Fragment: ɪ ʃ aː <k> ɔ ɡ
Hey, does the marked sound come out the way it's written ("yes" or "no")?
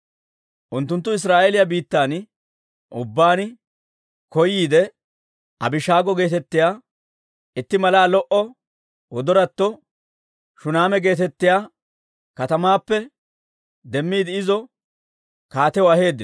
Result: no